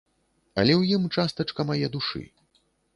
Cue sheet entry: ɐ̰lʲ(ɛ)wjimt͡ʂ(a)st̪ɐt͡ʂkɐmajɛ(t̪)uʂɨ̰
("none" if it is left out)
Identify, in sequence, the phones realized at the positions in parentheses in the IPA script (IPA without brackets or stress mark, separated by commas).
ɛ, a, d̪